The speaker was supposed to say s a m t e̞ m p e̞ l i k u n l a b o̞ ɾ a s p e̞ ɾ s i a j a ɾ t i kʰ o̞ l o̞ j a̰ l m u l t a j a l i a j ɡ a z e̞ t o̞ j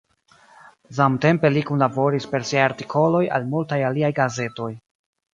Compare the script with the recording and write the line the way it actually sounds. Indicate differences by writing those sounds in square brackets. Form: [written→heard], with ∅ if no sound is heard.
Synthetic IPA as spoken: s a m t e̞ m p e̞ l i k u n l a b o̞ ɾ [a→i] s p e̞ ɾ s i a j a ɾ t i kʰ o̞ l o̞ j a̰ l m u l t a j a l i a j ɡ a z e̞ t o̞ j